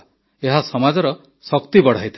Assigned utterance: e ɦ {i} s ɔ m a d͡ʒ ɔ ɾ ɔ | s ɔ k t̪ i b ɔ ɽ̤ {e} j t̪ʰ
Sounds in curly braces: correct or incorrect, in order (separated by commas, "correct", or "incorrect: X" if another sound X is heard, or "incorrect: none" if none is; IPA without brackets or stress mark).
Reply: incorrect: a, incorrect: a